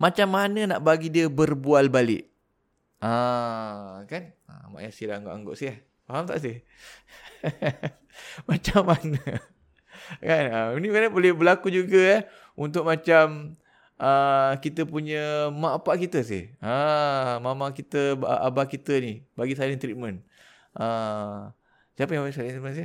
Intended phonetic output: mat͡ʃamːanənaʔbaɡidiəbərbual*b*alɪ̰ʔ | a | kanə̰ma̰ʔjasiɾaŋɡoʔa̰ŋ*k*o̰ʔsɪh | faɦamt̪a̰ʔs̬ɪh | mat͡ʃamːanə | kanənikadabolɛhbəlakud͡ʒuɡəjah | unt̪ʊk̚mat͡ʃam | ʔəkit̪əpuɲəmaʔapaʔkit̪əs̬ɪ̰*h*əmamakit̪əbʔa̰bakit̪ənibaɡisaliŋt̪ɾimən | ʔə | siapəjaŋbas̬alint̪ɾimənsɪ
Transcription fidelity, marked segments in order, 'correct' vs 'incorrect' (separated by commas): correct, incorrect, correct